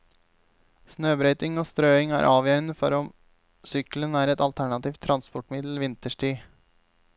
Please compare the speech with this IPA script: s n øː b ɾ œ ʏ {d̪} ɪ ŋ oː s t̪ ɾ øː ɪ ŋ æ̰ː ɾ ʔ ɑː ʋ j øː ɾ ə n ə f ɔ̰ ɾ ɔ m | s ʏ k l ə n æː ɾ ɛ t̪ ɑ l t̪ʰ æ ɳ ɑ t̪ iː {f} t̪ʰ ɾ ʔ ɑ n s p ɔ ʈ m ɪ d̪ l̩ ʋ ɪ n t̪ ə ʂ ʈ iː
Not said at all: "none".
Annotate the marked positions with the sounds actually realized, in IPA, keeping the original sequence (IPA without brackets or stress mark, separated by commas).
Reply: t̪, f